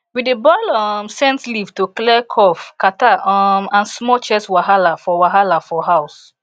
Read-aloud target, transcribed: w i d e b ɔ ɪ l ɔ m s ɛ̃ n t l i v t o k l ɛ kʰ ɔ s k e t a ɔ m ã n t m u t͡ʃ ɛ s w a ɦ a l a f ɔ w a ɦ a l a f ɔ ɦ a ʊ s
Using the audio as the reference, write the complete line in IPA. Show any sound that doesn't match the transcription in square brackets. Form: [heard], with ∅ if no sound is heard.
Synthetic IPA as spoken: w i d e b ɔ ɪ l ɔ m s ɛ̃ n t l i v t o k l ɛ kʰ ɔ [f] k [a] t a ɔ m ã n [s] m [ɔ] t͡ʃ ɛ s w a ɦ a l a f ɔ w a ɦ a l a f ɔ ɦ a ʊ s